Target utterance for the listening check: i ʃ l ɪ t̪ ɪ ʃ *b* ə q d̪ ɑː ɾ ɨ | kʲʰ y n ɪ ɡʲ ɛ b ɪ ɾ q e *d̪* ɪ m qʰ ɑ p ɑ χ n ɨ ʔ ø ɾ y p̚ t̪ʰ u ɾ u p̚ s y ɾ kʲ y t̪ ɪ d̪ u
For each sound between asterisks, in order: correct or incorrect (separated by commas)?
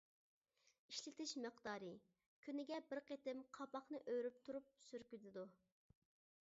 incorrect, incorrect